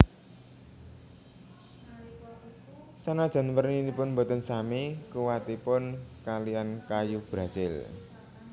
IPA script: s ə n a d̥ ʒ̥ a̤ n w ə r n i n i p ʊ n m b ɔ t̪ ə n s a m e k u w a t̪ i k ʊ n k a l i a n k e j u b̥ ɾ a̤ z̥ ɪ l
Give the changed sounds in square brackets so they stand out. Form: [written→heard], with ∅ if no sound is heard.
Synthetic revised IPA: s [ə→a] n a d̥ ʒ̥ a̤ n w ə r n i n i p ʊ n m b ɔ t̪ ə n s a m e k u w a t̪ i [k→p] ʊ n k a l i a n k [e→a] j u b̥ ɾ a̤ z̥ ɪ l